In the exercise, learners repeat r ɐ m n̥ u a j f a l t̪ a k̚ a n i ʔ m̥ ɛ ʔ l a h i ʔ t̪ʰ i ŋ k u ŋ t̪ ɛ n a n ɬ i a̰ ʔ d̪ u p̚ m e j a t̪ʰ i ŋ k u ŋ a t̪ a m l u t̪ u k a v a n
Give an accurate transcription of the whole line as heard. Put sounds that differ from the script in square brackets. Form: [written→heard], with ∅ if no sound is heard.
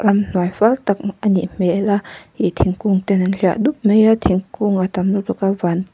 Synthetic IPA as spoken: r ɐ m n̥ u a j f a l t̪ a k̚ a n i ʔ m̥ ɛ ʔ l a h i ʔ t̪ʰ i ŋ k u ŋ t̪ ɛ n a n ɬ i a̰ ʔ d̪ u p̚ m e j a t̪ʰ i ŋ k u ŋ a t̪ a m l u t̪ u k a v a n